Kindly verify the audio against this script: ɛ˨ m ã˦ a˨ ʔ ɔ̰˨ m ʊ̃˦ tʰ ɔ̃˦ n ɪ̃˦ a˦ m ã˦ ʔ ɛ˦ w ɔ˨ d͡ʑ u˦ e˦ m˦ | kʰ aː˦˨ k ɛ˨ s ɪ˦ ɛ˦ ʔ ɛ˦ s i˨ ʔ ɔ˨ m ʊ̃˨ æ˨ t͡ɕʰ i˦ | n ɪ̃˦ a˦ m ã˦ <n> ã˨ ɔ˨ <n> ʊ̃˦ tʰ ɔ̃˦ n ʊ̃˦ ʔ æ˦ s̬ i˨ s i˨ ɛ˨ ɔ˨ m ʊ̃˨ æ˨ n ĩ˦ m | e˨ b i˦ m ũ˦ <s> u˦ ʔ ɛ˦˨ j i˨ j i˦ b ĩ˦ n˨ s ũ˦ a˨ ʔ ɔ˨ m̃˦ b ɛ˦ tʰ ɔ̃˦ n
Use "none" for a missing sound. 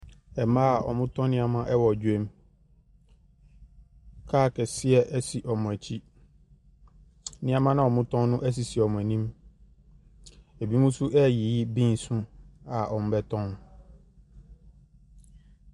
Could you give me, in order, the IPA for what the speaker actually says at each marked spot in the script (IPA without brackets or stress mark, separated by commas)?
n, m, s